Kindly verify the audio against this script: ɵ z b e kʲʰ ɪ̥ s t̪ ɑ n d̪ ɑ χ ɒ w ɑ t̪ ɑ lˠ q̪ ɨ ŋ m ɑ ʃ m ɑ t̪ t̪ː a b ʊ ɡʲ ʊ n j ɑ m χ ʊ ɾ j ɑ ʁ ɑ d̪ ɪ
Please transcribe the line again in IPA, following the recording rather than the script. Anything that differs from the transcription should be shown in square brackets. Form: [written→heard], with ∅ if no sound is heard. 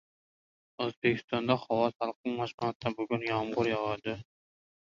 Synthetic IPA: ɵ z b e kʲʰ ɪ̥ s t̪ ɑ n d̪ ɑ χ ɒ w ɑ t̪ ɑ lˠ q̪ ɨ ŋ m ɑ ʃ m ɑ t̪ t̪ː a b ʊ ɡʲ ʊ n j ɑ m [χ→ʁ] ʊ ɾ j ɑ ʁ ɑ d̪ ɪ